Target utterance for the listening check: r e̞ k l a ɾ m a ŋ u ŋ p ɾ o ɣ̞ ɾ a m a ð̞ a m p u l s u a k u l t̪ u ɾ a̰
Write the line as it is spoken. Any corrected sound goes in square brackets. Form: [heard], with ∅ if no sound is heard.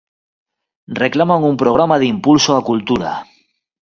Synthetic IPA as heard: r e̞ k l a [∅] m a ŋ u [m] p ɾ o ɣ̞ ɾ a m a ð̞ [i] m p u l s [o] a k u l t̪ u ɾ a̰